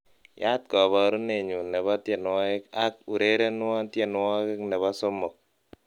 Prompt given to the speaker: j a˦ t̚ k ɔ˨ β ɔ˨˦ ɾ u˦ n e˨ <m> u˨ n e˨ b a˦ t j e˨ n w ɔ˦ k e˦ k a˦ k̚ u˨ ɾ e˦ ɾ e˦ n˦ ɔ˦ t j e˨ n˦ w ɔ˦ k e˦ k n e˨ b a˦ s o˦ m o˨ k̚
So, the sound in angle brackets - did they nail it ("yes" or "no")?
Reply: no